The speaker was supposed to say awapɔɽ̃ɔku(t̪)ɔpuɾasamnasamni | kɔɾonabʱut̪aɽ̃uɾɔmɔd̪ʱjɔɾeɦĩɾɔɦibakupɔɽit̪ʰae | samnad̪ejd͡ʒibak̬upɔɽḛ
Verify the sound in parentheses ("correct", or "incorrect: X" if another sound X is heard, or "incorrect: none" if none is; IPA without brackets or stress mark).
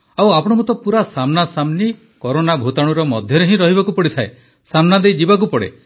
correct